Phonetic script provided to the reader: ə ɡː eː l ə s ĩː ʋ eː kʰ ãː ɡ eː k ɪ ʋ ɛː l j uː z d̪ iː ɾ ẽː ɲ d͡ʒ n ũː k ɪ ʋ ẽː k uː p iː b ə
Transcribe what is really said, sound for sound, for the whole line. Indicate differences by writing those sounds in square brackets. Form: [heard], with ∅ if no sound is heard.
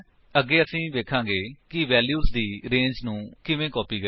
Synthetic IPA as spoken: ə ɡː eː [∅] ə s ĩː ʋ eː kʰ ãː ɡ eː k ɪ ʋ ɛː l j uː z d̪ iː ɾ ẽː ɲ d͡ʒ n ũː k ɪ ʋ ẽː k [ɔː] p iː [ɡ] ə